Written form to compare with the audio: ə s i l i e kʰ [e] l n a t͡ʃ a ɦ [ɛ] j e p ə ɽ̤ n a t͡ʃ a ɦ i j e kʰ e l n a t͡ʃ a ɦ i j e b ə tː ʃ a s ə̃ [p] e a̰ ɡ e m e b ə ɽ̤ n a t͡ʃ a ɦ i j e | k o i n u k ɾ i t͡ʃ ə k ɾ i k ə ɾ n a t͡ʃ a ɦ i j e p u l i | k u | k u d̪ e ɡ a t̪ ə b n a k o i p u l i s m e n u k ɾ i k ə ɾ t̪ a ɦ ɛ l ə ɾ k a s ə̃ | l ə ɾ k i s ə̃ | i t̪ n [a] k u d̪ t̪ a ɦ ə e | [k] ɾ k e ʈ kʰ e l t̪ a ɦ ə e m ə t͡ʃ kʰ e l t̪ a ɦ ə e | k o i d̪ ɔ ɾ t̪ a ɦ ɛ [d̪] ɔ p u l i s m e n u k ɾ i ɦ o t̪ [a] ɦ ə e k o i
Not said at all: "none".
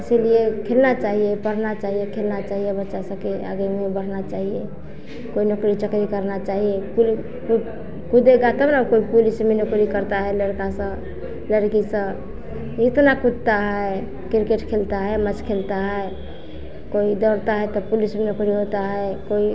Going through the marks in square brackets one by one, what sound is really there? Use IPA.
e, i, k, a, k, t̪, a

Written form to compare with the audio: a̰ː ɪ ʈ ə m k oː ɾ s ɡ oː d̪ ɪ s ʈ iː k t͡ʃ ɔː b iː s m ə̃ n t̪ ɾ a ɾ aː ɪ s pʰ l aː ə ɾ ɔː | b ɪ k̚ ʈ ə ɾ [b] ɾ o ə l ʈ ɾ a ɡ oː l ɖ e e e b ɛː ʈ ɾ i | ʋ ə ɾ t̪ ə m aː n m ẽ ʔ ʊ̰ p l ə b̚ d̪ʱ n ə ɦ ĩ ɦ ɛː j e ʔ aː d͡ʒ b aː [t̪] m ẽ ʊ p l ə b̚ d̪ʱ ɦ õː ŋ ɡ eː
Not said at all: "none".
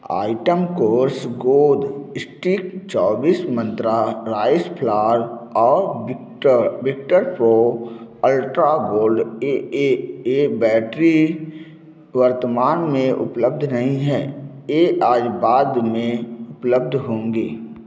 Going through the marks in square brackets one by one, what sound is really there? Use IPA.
p, d̪

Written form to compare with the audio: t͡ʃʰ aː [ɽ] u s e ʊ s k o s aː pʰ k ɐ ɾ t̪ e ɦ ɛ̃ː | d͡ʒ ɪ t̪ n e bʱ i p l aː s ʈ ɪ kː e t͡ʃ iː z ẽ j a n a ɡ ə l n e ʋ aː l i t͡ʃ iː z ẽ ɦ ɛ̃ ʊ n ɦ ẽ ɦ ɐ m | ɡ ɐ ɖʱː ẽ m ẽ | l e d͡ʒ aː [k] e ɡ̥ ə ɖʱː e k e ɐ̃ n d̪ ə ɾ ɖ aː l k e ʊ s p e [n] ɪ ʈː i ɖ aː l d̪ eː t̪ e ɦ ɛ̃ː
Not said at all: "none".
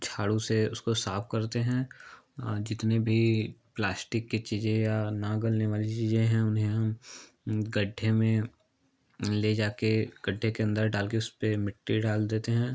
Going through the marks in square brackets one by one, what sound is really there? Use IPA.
ɽ, k, m

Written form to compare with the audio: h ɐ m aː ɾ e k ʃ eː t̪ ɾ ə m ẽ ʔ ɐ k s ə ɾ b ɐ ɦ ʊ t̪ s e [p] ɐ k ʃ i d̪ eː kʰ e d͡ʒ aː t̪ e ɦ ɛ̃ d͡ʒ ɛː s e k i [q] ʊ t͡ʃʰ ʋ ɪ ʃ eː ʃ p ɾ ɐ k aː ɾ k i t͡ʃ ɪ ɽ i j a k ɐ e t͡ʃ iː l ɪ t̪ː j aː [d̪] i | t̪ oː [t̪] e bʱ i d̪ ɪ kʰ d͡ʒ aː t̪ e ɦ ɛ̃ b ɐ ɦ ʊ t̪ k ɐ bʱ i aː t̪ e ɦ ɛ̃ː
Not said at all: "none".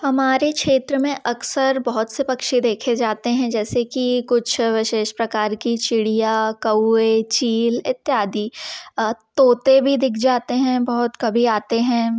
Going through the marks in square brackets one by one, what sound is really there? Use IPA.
p, k, d̪, t̪

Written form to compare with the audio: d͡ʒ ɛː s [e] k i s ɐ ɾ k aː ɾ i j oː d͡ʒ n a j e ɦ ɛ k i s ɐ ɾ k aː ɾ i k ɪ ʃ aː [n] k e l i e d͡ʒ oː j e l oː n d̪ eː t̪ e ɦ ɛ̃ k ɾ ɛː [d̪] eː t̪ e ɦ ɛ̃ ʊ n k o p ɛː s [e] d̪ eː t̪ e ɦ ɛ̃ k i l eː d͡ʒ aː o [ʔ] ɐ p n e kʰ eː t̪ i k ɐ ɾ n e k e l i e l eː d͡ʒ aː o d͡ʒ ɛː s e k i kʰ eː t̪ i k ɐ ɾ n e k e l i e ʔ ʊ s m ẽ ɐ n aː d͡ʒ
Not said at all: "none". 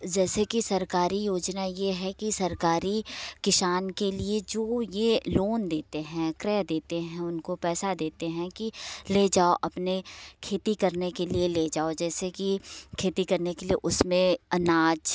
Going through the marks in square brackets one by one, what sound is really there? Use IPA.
e, n, d̪, a, ʔ

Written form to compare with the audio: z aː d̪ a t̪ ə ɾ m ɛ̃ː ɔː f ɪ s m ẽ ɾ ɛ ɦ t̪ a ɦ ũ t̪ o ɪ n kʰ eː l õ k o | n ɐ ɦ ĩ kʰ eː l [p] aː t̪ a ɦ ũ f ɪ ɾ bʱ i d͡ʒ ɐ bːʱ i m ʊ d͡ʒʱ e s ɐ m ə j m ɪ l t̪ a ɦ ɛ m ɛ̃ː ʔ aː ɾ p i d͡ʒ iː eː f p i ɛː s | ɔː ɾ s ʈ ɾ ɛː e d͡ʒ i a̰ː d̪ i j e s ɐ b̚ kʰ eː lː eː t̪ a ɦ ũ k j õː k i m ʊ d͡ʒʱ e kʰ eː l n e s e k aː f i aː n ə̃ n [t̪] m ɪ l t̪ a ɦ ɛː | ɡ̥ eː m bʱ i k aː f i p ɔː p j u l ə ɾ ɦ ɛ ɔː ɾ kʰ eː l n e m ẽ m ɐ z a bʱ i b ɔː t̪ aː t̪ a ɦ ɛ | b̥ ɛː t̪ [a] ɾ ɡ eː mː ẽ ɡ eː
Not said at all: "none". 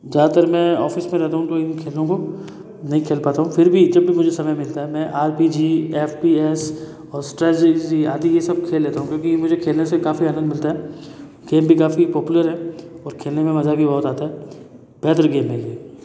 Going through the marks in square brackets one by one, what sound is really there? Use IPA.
p, d̪, ə

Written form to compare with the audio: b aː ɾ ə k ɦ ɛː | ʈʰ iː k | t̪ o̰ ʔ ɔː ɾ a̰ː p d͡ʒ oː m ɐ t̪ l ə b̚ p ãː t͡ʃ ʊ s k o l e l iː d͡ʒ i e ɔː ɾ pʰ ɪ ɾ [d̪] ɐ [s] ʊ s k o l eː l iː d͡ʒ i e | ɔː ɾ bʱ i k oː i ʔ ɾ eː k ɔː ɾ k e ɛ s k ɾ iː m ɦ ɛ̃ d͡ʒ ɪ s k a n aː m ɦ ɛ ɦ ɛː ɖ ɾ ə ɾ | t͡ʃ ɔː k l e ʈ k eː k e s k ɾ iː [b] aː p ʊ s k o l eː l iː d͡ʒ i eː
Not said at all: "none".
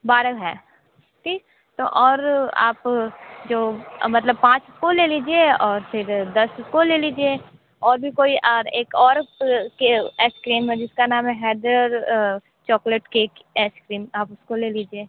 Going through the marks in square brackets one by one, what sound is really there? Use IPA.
d̪, s, m

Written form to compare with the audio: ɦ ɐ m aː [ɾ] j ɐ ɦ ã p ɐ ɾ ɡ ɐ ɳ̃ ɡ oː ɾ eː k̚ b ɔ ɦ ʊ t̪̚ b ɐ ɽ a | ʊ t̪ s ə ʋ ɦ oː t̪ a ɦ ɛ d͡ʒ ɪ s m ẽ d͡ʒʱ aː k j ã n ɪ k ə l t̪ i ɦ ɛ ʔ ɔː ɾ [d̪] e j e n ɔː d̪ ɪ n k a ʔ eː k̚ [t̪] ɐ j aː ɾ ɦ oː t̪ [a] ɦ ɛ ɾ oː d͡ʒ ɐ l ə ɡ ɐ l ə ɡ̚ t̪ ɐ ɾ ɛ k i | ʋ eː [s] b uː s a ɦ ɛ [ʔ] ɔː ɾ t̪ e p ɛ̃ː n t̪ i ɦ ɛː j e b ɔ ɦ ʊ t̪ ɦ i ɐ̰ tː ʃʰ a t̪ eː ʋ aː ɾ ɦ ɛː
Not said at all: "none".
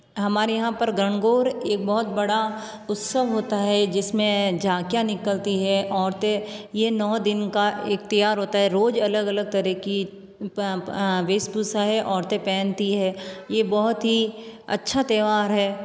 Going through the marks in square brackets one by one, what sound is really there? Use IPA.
ɾ, t̪, t̪, a, s, ʔ

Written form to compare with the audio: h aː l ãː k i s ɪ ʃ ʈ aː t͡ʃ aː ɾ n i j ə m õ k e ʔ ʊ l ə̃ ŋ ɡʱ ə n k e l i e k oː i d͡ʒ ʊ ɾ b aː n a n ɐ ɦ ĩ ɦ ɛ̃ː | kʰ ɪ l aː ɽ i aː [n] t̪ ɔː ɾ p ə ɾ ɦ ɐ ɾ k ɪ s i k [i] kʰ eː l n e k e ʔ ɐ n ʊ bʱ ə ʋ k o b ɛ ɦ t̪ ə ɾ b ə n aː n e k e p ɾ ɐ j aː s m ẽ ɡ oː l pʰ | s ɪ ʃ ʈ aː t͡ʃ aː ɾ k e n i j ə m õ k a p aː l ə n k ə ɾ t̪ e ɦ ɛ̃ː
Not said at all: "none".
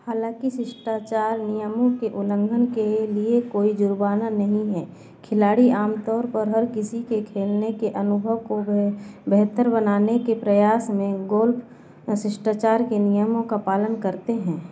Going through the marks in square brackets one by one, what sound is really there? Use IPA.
m, e

